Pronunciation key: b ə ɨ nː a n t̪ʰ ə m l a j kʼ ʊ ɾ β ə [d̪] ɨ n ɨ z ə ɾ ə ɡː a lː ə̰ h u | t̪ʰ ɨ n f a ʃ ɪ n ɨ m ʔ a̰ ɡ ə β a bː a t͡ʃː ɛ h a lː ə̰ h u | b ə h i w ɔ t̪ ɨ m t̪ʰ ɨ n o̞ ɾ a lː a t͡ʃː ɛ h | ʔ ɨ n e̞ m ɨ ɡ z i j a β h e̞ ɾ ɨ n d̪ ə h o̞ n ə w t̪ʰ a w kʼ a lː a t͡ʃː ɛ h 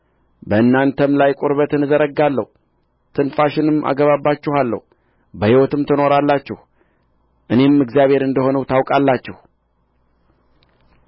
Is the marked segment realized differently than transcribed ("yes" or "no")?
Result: yes